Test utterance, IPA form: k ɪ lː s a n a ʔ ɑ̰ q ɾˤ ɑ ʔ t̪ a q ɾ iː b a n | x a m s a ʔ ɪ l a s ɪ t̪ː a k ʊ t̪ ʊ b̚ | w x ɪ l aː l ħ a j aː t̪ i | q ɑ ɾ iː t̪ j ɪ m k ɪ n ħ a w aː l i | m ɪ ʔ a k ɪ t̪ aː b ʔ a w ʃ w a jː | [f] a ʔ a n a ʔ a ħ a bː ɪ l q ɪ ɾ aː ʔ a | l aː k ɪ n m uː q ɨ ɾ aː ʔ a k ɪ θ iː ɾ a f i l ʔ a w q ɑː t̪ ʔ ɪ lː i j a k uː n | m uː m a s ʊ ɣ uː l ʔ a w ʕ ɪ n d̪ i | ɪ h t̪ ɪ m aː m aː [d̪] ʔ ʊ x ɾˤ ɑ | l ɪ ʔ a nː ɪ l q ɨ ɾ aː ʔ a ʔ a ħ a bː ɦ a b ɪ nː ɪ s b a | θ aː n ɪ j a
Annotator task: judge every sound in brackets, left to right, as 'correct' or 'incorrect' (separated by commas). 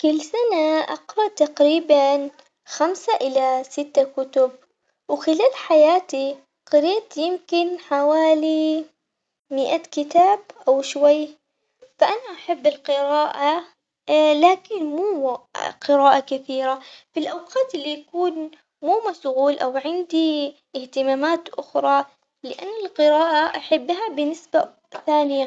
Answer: correct, incorrect